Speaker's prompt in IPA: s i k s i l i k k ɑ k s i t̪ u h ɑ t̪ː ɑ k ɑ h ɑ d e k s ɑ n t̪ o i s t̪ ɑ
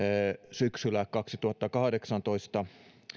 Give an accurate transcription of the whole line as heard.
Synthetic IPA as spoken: s y k s y l æ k k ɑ k s i t̪ u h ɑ t̪ː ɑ k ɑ h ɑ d e k s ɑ n t̪ o i s t̪ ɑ